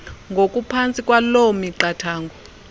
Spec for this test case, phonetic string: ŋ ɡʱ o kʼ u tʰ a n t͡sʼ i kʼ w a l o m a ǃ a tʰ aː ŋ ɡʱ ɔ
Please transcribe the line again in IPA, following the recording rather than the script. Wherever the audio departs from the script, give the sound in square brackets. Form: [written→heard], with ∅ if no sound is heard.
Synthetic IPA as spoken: ŋ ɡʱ o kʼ u [tʰ→pʰ] a n t͡sʼ i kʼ w a l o m [a→i] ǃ a tʰ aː ŋ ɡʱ ɔ